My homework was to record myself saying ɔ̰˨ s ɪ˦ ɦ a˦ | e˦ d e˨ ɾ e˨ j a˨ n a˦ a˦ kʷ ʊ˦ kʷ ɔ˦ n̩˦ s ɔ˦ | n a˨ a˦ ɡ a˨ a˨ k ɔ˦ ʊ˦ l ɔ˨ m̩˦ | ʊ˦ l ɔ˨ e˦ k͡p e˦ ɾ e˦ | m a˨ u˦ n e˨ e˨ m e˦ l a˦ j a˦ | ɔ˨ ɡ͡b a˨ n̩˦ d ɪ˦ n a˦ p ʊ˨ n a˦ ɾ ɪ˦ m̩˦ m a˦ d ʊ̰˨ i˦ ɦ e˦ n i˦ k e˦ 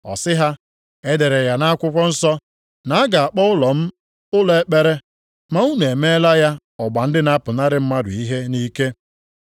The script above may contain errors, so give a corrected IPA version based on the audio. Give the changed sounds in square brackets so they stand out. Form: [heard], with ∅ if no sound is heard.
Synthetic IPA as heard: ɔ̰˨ s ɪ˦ ɦ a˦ | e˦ d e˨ ɾ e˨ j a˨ n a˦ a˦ kʷ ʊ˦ kʷ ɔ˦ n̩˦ s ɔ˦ | n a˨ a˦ ɡ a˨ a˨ [k͡p] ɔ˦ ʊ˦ l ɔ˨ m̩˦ | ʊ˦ l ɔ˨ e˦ k͡p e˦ ɾ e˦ | m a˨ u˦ n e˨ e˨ m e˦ l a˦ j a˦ | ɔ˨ ɡ͡b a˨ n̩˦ d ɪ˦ n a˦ p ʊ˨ n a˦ ɾ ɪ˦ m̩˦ m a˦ d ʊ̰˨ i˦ ɦ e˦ n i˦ k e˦